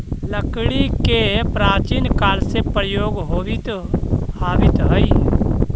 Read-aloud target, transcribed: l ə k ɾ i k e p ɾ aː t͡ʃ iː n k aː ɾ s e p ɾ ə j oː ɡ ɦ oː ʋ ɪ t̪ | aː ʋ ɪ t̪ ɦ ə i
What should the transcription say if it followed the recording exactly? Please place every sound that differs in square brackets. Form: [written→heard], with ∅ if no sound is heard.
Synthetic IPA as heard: l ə k [ɾ→ɽ] i k e p ɾ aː t͡ʃ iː n k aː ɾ s e p ɾ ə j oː ɡ ɦ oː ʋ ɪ t̪ | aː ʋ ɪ t̪ ɦ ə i